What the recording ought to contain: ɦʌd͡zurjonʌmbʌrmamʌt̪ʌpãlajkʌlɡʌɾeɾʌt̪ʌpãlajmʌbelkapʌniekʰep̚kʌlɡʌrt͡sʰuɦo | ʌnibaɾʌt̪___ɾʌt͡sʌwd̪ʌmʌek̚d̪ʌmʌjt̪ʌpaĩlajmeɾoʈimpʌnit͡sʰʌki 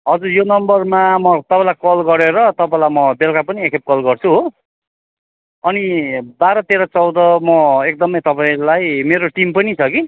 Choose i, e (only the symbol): e